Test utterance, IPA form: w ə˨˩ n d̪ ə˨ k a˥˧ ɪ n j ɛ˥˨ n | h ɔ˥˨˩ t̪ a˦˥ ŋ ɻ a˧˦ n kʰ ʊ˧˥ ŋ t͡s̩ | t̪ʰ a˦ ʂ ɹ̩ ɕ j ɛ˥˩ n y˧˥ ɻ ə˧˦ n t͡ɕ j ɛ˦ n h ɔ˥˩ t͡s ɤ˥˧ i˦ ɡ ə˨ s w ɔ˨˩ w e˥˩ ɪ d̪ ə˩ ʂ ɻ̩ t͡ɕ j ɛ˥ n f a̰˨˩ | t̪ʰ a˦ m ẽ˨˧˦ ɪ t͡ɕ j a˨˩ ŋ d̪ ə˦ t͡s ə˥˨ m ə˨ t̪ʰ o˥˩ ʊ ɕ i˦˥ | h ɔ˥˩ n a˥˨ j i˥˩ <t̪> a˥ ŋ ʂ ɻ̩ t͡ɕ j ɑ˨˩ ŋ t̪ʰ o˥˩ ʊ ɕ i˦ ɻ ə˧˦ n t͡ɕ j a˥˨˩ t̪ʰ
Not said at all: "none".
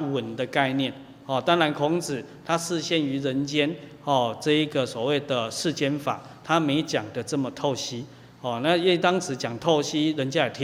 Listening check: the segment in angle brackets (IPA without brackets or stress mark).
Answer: t̪